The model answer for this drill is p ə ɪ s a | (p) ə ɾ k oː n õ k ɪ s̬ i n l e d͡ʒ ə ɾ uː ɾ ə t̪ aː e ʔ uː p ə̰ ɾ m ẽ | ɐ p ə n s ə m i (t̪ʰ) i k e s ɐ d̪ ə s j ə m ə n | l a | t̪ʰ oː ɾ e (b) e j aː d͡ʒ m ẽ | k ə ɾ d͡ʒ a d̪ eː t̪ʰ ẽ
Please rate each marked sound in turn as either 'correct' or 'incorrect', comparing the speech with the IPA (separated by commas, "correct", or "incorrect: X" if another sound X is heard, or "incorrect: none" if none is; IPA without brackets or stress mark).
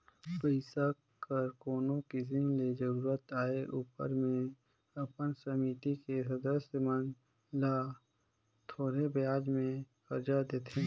incorrect: k, incorrect: t̪, correct